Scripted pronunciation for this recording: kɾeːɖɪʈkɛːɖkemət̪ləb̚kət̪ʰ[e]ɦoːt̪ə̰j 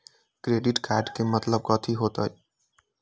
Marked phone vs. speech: incorrect: i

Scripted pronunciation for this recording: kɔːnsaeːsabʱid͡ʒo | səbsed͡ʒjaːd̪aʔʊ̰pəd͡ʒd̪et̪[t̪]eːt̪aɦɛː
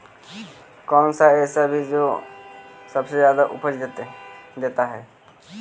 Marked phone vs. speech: incorrect: d̪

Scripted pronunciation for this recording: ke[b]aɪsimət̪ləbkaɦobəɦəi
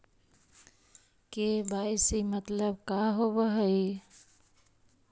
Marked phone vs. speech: correct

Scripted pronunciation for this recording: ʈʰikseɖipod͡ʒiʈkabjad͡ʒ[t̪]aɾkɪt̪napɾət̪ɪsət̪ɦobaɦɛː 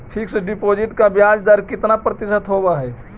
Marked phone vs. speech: incorrect: d̪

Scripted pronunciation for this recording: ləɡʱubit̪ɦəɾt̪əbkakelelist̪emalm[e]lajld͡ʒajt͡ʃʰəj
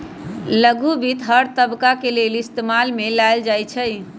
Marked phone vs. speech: correct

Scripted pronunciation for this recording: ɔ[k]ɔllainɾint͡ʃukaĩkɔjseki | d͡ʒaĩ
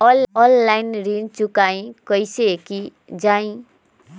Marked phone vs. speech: incorrect: none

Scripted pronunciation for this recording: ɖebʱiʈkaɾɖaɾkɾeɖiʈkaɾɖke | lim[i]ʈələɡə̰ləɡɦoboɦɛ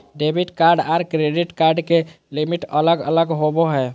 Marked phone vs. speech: correct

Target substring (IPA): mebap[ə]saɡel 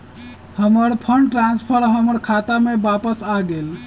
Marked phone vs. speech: correct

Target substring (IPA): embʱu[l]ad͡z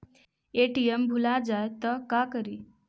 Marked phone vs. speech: correct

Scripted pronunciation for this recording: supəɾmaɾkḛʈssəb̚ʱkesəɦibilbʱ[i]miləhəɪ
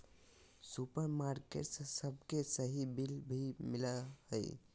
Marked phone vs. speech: correct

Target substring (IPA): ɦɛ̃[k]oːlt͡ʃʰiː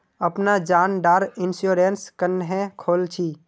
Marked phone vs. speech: incorrect: kʰ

